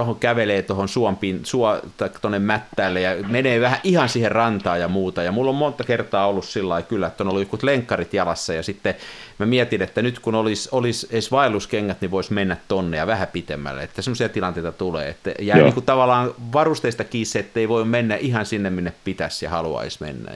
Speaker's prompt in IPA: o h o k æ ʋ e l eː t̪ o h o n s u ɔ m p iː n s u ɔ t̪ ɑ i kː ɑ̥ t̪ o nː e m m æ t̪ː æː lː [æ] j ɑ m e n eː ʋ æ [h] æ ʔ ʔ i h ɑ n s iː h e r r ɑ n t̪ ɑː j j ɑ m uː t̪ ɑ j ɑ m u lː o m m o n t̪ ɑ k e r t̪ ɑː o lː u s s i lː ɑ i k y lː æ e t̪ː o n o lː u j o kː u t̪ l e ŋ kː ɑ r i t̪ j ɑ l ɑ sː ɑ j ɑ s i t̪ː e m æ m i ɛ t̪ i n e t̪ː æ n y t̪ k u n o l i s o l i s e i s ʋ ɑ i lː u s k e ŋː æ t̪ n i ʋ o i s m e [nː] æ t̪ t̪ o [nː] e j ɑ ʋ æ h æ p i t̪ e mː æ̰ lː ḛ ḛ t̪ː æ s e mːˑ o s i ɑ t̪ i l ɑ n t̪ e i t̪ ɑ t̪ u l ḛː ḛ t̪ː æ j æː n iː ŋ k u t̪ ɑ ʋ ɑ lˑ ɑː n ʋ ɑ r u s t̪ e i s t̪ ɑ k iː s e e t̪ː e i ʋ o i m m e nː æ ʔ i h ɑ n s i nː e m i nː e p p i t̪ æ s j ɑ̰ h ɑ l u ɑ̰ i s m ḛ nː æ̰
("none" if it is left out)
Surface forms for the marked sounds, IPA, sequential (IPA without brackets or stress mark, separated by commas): e, h, nː, nː